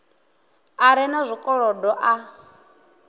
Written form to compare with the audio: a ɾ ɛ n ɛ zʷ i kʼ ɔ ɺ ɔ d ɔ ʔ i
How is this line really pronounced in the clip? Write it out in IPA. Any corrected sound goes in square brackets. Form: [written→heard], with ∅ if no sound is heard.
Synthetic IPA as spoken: a ɾ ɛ n [ɛ→a] zʷ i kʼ ɔ ɺ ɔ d ɔ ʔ [i→a]